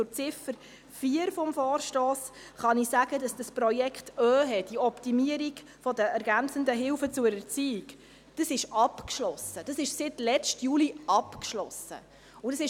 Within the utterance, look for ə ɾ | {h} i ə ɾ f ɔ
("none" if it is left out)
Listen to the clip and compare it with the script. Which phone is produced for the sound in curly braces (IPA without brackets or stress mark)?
f